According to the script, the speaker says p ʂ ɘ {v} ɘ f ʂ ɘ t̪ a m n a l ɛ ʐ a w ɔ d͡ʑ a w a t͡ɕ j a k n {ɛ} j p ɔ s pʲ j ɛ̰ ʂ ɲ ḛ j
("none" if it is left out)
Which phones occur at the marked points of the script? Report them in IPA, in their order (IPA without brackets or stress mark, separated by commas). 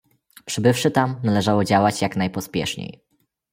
b, a